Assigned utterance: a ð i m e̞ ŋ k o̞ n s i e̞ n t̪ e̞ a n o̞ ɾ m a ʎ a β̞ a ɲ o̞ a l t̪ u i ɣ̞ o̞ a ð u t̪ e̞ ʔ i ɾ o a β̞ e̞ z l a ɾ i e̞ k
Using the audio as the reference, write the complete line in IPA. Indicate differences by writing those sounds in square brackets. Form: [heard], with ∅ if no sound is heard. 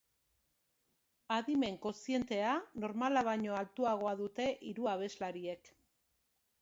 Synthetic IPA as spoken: a ð i m e̞ ŋ k o̞ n s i e̞ n t̪ e̞ a n o̞ ɾ m a [l] a β̞ a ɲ o̞ a l t̪ u [a] ɣ̞ o̞ a ð u t̪ e̞ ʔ i ɾ [u] a β̞ e̞ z l a ɾ i e̞ k